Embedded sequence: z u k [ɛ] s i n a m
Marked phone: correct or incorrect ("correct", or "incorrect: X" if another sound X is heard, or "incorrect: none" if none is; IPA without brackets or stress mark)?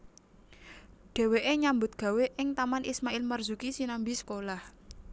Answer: incorrect: i